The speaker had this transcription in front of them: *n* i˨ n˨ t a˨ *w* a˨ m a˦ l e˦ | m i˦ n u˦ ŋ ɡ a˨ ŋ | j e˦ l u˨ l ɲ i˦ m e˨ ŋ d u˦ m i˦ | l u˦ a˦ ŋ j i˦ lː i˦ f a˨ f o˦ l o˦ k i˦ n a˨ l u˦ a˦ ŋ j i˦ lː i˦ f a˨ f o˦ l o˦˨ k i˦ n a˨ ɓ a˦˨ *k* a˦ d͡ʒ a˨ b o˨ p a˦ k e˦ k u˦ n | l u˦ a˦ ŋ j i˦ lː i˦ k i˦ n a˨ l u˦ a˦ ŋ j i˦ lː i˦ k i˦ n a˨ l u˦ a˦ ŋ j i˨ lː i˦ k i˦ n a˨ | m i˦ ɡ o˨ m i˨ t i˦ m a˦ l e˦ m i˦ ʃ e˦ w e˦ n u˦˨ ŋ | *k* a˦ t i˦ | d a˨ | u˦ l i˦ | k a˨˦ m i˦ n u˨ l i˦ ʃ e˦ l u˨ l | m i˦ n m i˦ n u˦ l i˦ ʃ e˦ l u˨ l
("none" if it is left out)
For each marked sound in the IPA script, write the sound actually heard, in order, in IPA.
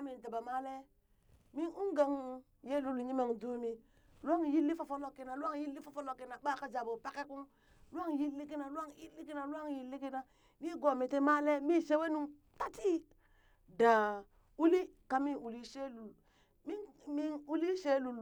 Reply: m, b, k, t

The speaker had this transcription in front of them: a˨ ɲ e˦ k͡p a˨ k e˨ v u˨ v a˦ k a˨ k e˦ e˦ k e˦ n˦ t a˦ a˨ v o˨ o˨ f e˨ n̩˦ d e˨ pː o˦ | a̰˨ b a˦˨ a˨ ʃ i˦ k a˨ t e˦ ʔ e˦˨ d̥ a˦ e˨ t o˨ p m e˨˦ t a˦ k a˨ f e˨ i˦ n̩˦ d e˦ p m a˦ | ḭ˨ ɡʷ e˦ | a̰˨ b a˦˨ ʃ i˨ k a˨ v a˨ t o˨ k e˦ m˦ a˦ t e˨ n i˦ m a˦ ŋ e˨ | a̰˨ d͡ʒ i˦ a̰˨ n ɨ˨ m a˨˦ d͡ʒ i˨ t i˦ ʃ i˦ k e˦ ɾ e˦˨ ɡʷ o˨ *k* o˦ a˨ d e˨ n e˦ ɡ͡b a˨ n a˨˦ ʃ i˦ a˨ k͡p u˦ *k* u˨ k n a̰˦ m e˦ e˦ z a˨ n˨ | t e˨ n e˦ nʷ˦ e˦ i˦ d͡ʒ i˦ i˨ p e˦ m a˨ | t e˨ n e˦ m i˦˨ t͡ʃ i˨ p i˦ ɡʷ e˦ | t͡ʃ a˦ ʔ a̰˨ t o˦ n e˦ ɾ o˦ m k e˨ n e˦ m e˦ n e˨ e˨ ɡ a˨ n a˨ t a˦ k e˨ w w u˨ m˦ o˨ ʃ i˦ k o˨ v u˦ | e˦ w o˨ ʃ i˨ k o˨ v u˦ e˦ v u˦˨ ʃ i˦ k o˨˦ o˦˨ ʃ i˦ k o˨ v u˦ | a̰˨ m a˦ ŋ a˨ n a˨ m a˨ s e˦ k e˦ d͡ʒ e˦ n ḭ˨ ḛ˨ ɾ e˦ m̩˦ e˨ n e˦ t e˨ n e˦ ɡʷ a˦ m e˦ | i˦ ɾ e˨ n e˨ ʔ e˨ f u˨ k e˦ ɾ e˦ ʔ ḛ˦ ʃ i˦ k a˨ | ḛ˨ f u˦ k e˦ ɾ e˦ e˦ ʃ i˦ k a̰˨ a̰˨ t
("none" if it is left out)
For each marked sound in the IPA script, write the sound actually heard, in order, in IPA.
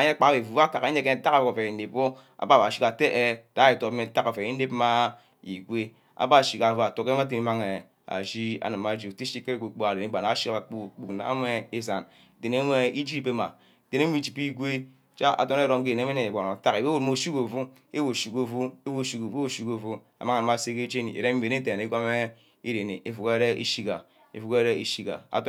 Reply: k͡p, k͡p

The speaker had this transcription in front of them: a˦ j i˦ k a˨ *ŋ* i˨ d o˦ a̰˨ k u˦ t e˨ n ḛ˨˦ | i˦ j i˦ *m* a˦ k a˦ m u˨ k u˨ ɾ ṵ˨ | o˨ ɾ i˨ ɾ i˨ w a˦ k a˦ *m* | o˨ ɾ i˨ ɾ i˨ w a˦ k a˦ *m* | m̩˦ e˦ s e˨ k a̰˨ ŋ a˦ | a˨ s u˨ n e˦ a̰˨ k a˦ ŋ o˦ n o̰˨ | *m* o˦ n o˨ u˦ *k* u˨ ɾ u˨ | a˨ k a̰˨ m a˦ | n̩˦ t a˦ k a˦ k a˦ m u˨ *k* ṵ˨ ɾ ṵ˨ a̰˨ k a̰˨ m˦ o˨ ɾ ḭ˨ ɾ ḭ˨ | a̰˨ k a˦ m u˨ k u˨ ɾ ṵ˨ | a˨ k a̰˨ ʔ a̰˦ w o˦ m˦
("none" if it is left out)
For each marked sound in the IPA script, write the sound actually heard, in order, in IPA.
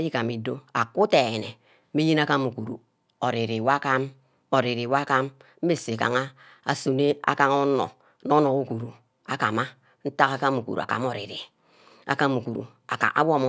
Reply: m, n, m, m, n, k, k

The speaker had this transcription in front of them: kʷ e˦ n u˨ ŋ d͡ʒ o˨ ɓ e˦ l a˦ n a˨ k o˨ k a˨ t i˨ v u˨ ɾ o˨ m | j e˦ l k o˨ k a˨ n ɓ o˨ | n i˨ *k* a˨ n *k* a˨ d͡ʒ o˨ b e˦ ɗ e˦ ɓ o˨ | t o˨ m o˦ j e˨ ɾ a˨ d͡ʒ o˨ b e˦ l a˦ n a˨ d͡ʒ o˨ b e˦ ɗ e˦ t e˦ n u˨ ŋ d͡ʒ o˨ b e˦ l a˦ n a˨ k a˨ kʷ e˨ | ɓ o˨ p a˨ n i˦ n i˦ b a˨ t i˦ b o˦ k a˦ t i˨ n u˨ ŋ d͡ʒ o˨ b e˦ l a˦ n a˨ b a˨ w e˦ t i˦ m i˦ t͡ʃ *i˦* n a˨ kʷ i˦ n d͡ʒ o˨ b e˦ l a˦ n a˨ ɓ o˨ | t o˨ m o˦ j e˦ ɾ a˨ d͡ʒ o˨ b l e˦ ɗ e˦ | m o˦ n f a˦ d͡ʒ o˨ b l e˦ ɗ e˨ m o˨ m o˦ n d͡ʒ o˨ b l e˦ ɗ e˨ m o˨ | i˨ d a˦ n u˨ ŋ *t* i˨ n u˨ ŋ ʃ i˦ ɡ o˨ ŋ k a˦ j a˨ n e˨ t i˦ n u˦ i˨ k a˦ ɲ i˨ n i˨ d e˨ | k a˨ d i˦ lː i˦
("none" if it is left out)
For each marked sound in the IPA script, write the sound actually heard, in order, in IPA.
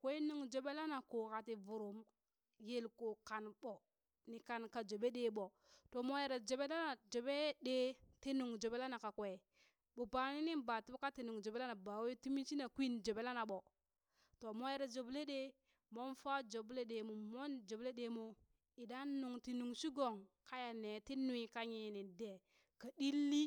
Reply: k, k, i˦, t

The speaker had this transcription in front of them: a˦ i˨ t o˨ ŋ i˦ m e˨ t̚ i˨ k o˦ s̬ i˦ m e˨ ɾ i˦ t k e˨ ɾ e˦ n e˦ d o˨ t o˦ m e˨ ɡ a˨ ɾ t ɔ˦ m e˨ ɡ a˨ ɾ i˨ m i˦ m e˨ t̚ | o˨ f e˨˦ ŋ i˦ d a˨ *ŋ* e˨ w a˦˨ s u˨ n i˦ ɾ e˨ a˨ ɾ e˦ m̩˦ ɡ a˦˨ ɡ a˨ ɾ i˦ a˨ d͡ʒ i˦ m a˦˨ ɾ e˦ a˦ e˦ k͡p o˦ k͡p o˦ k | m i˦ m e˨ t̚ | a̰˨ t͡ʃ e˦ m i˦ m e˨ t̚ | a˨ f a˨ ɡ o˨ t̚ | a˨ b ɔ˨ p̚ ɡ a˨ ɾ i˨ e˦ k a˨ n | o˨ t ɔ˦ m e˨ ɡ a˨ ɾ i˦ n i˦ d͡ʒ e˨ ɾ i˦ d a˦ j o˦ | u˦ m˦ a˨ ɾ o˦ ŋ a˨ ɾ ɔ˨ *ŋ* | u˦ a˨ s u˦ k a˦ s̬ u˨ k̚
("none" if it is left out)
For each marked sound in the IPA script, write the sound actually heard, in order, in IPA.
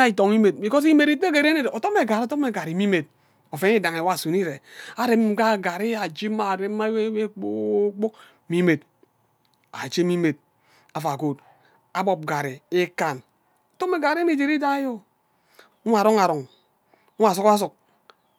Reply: ŋ, ŋ

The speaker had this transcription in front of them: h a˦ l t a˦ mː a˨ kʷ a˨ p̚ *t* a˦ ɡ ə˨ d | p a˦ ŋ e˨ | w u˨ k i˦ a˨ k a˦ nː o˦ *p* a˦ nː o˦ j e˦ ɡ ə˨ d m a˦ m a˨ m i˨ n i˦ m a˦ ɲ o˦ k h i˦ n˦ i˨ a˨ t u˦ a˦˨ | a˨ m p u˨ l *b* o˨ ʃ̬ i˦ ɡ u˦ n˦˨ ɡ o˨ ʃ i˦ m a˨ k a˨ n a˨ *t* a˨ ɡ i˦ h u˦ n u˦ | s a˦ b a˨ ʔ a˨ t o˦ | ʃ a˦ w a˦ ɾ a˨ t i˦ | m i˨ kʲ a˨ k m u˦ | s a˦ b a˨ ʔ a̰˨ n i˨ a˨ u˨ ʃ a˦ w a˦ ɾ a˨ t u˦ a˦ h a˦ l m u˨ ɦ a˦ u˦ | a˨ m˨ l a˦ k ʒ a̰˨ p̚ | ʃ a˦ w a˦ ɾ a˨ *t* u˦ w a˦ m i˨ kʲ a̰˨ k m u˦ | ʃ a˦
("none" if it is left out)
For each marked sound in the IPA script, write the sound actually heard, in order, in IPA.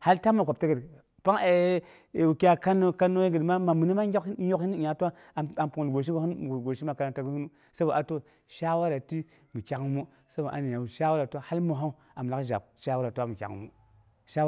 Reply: t, k, ɡ, t, t

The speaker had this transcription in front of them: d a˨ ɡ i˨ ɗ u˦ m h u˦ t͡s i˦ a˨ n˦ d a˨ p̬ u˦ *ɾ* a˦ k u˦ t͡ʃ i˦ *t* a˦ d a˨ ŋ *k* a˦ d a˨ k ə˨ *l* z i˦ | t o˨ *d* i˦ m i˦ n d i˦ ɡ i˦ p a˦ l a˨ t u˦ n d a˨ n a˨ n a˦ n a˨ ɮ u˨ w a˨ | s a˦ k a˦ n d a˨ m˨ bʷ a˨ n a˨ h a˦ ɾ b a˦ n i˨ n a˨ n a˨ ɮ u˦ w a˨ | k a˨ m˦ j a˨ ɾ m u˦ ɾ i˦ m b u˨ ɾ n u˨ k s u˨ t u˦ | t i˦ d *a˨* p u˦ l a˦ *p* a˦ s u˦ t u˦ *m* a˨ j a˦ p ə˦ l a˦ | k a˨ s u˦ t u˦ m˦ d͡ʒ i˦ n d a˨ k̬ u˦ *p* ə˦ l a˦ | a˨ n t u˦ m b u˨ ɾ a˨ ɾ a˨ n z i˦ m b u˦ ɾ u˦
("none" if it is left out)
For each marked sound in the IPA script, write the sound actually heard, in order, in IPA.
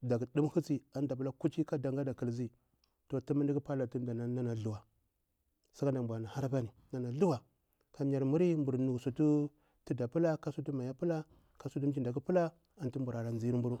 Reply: l, k, ɡ, l, t, a˨, k, m, p

